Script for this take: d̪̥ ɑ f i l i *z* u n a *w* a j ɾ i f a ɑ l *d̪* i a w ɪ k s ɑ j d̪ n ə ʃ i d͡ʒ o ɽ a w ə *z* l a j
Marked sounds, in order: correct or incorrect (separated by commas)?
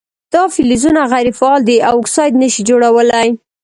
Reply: correct, incorrect, correct, incorrect